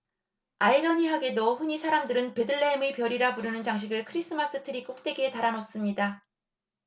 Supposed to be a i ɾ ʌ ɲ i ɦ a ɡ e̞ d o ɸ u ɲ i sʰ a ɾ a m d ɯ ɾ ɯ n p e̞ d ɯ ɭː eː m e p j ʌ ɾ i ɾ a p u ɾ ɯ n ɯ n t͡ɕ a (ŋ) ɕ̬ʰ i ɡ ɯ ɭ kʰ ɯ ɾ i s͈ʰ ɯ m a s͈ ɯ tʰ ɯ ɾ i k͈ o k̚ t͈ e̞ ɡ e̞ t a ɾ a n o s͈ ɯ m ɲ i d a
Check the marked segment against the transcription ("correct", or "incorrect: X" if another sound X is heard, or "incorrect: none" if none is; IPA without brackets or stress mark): correct